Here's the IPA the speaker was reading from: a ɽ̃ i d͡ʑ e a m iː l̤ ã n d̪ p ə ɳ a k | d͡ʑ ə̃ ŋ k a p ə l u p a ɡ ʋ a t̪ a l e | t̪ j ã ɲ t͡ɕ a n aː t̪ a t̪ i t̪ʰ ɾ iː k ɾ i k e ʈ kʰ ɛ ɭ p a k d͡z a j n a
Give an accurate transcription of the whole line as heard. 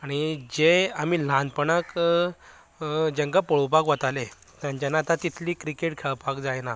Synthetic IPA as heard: a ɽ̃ i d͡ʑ e a m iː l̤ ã n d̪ p ə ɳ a k | d͡ʑ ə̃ ŋ k a p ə ɭ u p a k ʋ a t̪ a l e | t̪ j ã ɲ t͡ɕ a n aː t̪ a t̪ i t̪ʰ l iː k ɾ i k e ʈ kʰ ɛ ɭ p a k d͡z a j n a